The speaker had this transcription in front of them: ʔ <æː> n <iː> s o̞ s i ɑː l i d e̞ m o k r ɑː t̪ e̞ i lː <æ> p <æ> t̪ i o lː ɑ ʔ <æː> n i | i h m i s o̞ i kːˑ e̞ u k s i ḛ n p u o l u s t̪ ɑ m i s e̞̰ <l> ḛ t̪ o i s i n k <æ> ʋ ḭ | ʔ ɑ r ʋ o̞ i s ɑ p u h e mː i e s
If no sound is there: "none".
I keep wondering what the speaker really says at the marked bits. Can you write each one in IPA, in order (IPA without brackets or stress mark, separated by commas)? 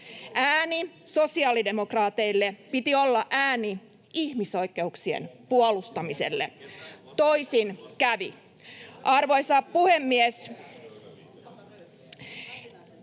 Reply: æː, i, e, i, æː, lː, æ